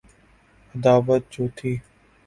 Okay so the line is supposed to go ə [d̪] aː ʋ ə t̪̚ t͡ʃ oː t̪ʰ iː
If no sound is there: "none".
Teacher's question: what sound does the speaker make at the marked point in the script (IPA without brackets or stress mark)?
d̪